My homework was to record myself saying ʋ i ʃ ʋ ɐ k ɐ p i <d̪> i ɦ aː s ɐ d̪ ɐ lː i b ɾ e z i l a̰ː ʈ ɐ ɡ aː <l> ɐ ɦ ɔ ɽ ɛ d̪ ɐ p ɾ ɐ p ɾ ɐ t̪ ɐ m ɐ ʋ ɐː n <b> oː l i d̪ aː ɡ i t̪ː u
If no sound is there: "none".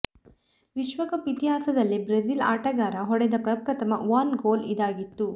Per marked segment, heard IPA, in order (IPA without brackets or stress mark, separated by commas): t̪, ɾ, ɡ